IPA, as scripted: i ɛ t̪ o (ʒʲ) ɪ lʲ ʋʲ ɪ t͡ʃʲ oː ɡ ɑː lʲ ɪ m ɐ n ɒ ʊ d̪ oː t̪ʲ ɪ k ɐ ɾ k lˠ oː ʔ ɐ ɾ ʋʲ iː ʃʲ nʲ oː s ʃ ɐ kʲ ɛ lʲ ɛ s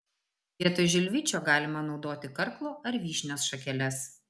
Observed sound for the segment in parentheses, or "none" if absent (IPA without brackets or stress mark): ʒʲ